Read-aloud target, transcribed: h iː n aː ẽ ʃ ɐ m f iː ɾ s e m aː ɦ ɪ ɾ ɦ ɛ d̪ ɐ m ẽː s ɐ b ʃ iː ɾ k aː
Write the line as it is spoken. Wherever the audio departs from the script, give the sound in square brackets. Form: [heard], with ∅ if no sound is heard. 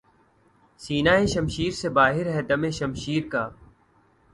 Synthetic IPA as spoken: [s] iː n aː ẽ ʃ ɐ m [ʃ] iː ɾ s e [b] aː ɦ ɪ ɾ ɦ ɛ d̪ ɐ m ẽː [ʃ] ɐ [m] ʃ iː ɾ k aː